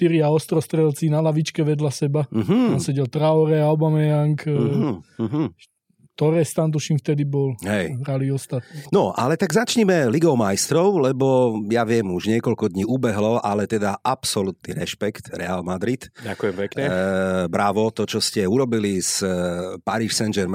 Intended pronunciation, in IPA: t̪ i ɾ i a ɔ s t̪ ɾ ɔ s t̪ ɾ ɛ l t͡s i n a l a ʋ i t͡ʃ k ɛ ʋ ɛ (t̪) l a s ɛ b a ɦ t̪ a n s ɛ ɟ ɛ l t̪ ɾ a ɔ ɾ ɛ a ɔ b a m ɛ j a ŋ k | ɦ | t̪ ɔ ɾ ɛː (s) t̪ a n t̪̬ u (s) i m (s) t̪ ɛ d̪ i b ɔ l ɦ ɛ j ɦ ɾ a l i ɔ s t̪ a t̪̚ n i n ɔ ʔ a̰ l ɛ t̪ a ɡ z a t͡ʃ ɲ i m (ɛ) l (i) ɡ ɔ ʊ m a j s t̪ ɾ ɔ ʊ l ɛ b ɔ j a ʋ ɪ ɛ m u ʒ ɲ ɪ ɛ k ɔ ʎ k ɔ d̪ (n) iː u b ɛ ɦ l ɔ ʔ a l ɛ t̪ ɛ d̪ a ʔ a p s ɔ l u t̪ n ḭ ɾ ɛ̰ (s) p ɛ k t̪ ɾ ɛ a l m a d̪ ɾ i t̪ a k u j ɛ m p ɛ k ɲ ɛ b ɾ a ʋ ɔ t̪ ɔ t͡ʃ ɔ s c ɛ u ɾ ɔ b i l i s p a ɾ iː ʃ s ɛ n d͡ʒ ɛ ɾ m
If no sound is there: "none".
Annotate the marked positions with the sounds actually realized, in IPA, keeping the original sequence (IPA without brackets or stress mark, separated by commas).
d̪, s, ʃ, f, ɛ, i, ɲ, ʃ